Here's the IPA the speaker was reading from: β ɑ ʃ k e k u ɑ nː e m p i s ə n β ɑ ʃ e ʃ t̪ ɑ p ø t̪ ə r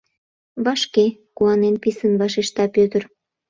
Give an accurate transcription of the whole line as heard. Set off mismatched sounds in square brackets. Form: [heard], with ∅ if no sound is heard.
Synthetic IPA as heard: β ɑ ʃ k e k u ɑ [n] e [n] p i s ə n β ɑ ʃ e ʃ t̪ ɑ p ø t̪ ə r